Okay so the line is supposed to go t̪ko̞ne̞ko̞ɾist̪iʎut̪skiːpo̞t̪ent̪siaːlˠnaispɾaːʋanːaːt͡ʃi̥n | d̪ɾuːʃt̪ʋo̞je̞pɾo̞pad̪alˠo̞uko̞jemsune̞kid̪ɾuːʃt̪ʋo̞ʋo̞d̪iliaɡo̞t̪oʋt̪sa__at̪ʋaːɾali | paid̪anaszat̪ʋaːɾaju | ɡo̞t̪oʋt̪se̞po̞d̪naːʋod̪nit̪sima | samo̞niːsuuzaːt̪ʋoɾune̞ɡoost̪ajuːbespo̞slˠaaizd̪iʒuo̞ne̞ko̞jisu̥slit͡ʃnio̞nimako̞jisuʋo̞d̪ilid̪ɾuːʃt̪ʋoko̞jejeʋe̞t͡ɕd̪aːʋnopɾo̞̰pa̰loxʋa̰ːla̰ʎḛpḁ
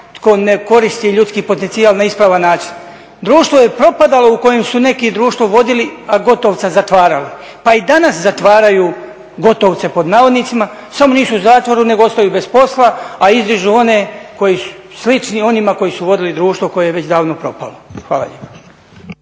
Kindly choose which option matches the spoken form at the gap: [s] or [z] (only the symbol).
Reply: z